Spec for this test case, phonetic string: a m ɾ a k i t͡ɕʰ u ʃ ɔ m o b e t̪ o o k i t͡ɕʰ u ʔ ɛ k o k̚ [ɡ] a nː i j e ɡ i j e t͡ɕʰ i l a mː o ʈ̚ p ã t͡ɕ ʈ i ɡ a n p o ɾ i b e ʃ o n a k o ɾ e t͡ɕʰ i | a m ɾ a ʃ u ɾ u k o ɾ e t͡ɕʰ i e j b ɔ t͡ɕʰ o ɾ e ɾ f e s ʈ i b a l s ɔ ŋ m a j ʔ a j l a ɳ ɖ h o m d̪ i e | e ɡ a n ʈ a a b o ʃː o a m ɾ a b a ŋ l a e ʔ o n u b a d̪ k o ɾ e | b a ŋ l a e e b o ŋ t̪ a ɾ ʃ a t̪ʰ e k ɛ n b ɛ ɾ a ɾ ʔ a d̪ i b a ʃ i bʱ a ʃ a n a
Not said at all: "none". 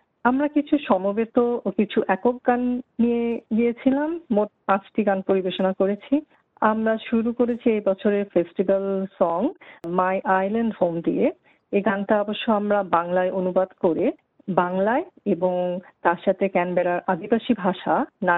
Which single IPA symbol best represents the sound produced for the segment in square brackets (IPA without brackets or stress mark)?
ɡ